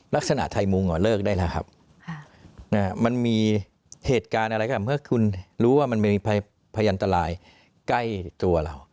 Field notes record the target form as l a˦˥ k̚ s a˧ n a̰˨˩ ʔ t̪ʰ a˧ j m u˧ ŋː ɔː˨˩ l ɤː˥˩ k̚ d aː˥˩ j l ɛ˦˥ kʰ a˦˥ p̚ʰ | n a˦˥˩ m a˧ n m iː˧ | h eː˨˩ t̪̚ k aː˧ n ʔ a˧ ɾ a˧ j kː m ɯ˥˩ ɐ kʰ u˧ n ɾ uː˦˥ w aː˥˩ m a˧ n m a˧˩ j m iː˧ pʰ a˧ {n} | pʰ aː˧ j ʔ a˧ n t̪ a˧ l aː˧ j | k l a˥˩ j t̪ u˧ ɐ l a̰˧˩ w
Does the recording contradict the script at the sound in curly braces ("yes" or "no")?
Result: yes